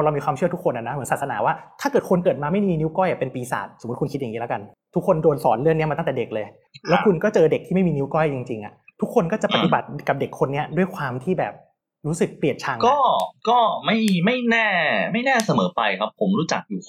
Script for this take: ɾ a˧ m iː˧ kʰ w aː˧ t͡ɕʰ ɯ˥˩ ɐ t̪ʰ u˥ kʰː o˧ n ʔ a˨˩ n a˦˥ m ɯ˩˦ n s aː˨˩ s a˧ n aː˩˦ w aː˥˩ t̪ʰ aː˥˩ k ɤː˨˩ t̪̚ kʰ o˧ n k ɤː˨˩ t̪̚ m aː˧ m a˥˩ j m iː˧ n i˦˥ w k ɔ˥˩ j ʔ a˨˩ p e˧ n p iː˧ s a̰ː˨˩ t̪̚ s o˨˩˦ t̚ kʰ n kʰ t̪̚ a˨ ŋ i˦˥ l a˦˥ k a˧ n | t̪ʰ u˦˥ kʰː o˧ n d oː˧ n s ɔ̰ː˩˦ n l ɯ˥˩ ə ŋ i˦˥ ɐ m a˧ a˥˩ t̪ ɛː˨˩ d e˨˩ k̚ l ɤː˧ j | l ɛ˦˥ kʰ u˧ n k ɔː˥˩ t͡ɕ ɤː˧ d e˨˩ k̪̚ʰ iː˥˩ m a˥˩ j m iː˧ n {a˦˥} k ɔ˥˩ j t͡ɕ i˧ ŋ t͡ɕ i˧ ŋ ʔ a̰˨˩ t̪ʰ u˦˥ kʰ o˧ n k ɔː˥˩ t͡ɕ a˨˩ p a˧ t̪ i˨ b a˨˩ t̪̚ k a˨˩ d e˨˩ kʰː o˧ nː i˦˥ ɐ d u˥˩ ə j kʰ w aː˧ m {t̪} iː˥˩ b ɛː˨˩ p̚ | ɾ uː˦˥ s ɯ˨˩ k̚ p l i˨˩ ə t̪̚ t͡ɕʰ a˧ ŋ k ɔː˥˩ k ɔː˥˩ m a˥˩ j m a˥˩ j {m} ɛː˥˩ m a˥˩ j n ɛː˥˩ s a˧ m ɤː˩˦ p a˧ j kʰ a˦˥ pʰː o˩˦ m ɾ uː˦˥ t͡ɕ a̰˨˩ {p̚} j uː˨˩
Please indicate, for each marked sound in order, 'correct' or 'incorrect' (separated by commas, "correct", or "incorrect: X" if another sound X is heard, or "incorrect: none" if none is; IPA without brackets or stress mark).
incorrect: i˦˥, incorrect: t̪ʰ, incorrect: n, incorrect: k̚